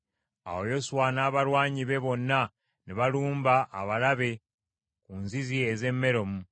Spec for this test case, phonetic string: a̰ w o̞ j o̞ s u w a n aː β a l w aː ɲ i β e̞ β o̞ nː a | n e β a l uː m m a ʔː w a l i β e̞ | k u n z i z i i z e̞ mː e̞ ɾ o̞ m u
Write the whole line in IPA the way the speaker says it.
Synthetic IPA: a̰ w o̞ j o̞ s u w a n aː β a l w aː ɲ i β e̞ β o̞ nː a | n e β a l uː m b a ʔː β a l a β e̞ | k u n z i z i e z e̞ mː e̞ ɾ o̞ m u